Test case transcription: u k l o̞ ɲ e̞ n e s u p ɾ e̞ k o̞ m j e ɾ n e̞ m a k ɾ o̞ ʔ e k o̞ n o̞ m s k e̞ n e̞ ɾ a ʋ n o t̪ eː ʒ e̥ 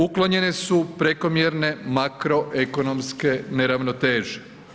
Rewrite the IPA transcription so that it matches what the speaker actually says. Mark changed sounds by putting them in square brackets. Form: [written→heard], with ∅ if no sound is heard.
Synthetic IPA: u k l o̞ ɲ e̞ n e s u p ɾ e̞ k o̞ m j e ɾ n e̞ m a k ɾ o̞ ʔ e k o̞ n o̞ m s k e̞ n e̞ ɾ a ʋ n o t̪ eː ʒ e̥